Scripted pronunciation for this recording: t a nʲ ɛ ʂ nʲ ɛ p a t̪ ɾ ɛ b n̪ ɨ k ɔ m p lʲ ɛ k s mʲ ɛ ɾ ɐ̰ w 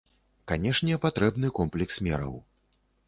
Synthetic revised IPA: k a nʲ ɛ ʂ nʲ ɛ p a t̪ ɾ ɛ b n̪ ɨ k ɔ m p lʲ ɛ k s mʲ ɛ ɾ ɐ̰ w